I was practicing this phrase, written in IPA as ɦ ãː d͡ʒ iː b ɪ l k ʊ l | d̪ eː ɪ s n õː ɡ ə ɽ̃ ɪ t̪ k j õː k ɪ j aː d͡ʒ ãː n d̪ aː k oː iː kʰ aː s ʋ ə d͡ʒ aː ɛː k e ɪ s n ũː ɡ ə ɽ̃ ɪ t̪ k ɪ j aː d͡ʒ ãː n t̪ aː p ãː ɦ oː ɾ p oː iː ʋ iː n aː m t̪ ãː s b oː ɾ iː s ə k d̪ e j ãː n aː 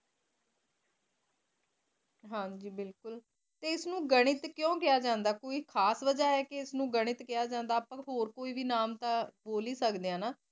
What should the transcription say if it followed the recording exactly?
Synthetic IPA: ɦ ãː d͡ʒ iː b ɪ l k ʊ l | t̪ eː ɪ s n ũː ɡ ə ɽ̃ ɪ t̪ k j õː k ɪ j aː d͡ʒ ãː n d̪ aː k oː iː kʰ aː s ʋ ə d͡ʒ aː ɛː k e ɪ s n ũː ɡ ə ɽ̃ ɪ t̪ k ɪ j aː d͡ʒ ãː n d̪ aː p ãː ɦ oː ɾ k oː iː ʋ iː n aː m t̪ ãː b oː l iː s ə k d̪ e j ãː n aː

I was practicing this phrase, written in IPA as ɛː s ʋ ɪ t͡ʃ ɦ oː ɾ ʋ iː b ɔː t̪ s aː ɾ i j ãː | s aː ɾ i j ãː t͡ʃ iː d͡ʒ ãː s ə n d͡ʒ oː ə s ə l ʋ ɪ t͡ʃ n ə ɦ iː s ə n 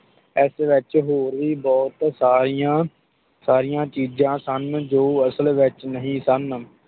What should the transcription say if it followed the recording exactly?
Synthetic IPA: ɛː s ʋ ɪ t͡ʃ ɦ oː ɾ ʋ iː b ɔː t̪ s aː ɾ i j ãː | s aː ɾ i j ãː t͡ʃ iː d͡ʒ ãː s ə n d͡ʒ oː ə s ə l ʋ ɪ t͡ʃ n ə ɦ ĩː s ə n

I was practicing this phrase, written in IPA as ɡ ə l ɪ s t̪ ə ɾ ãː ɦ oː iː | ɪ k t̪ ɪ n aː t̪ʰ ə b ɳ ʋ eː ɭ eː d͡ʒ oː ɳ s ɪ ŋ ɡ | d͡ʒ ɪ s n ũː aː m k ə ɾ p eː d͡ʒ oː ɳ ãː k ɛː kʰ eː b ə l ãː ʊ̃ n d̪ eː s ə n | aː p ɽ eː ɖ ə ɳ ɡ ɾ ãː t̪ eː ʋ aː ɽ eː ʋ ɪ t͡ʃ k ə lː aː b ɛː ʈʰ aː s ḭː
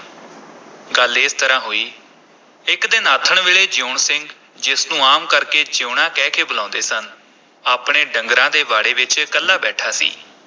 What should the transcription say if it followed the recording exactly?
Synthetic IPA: ɡ ə l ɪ s t̪ ə ɾ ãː ɦ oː iː | ɪ k d̪ ɪ n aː t̪ʰ ə ɳ ʋ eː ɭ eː d͡ʒ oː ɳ s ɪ ŋ ɡ | d͡ʒ ɪ s n ũː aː m k ə ɾ k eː d͡ʒ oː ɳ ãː k ɛː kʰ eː b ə l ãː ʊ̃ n d̪ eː s ə n | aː p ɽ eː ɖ ə ŋ ɡ ɾ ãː d̪ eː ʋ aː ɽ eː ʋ ɪ t͡ʃ k ə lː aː b ɛː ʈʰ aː s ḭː

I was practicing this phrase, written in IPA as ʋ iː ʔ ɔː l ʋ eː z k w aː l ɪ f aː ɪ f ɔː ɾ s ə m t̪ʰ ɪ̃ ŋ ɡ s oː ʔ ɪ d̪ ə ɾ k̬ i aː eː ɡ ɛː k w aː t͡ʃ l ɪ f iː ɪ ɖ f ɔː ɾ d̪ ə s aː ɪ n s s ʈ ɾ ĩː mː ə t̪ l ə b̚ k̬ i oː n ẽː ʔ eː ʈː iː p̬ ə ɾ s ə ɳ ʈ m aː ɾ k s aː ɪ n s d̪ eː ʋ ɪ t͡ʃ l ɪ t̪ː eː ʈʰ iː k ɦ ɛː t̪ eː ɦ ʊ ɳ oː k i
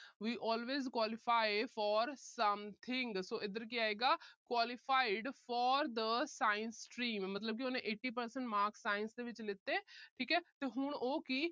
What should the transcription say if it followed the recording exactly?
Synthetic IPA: ʋ iː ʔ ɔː l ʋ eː z k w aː l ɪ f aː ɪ f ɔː ɾ s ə m t̪ʰ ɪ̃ ŋ ɡ s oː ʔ ɪ d̪ ə ɾ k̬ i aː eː ɡ aː k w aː l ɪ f aː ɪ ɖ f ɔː ɾ d̪ ə s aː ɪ n s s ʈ ɾ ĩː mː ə t̪ l ə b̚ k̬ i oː n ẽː ʔ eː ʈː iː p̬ ə ɾ s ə ɳ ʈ m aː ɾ k s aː ɪ n s d̪ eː ʋ ɪ t͡ʃ l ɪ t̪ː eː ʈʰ iː k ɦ ɛː t̪ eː ɦ ʊ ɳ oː k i

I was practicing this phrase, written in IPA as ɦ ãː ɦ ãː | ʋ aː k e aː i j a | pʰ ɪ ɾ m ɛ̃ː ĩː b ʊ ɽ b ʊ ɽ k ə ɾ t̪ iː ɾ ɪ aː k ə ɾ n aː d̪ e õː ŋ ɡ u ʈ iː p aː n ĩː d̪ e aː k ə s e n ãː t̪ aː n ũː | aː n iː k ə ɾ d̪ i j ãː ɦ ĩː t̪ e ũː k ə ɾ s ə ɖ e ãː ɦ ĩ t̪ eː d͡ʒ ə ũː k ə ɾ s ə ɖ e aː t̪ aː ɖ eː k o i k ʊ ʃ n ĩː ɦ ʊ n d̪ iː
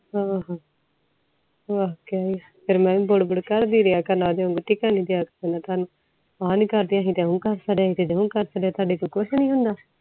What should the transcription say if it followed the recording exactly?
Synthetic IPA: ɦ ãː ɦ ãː | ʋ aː k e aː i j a | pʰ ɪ ɾ m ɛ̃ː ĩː b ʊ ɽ b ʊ ɽ k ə ɾ d̪ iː ɾ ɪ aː k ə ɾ n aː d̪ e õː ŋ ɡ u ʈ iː k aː n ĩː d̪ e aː k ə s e n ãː t̪ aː n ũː | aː n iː k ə ɾ d̪ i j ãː ɦ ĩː t̪ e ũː k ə ɾ s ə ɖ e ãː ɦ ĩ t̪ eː d͡ʒ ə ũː k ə ɾ s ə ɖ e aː t̪ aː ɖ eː k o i k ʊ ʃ n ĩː ɦ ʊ n d̪ aː

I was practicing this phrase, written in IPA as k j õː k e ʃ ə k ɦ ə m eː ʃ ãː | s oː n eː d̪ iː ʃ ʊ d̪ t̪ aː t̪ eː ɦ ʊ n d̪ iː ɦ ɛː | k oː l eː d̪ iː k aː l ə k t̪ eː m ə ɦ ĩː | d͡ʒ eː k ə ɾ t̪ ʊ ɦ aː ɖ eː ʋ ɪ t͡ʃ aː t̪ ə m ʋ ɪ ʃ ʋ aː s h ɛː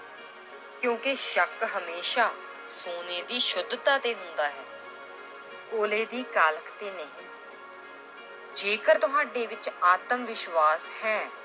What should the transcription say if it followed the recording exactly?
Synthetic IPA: k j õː k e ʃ ə k ɦ ə m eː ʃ aː | s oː n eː d̪ iː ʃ ʊ d̪ t̪ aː t̪ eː ɦ ʊ n d̪ aː ɦ ɛː | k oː l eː d̪ iː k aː l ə k t̪ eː n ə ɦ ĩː | d͡ʒ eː k ə ɾ t̪ ʊ ɦ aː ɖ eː ʋ ɪ t͡ʃ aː t̪ ə m ʋ ɪ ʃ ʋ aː s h ɛː

